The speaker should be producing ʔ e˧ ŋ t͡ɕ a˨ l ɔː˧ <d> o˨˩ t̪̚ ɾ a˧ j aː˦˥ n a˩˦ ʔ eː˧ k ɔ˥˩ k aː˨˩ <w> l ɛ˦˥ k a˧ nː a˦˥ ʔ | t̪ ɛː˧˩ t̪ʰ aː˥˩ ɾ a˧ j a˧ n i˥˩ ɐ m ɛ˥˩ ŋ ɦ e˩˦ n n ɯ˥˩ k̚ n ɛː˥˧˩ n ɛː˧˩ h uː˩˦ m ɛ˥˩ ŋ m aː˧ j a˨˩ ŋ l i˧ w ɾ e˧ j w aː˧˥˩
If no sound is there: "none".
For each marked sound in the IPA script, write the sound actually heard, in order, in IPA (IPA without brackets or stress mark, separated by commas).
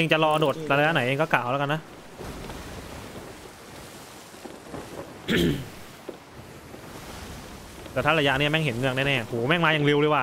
d, w